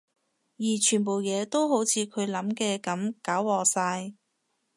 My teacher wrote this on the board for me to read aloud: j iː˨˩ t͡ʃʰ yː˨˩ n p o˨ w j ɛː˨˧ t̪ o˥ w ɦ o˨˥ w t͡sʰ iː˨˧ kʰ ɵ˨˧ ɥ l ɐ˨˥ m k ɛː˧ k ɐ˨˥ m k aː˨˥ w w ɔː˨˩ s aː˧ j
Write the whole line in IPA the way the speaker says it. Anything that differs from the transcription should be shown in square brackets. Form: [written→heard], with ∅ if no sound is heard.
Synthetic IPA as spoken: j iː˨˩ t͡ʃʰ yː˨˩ n p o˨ w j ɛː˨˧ t̪ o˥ w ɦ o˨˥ w t͡sʰ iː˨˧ kʰ ɵ˨˧ ɥ l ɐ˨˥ m k ɛː˧ k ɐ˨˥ m k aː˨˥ w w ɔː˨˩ s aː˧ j